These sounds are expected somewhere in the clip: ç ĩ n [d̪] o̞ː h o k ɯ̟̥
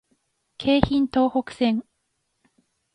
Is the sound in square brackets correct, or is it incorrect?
incorrect